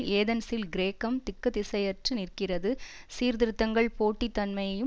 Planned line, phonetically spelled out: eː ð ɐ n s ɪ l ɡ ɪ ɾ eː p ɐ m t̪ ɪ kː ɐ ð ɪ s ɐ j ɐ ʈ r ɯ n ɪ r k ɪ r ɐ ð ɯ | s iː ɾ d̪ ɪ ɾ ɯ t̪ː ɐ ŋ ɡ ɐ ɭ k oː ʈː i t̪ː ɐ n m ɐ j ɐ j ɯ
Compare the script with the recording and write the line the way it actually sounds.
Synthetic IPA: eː ð ɐ n s ɪ l ɡ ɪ ɾ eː k ɐ m t̪ ɪ kː ɐ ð ɪ s ɐ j ɐ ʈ r ɯ n ɪ r k ɪ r ɐ ð ɯ | s iː ɾ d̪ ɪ ɾ ɯ t̪ː ɐ ŋ ɡ ɐ ɭ p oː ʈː i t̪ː ɐ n m ɐ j ɐ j ɯ